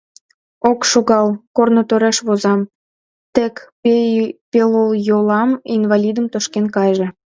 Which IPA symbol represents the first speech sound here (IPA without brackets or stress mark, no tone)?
o